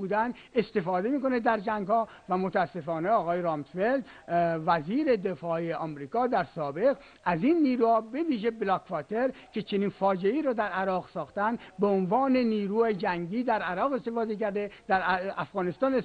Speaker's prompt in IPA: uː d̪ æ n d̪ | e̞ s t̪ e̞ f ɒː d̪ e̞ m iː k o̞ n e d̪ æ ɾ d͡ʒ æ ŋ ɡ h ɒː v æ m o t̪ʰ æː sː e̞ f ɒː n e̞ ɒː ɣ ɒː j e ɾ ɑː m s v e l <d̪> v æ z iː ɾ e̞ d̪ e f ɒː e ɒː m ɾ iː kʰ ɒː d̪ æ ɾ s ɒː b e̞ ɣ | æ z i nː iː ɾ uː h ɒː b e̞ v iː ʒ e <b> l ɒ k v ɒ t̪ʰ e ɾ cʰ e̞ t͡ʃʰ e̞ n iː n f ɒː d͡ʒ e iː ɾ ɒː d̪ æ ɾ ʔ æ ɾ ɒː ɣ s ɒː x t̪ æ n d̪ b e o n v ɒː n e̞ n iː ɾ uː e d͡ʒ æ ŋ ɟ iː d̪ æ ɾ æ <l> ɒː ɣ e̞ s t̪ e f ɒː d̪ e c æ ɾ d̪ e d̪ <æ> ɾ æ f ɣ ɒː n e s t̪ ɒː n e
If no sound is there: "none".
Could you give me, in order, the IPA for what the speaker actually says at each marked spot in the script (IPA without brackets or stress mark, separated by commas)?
d̪, b, ɾ, æ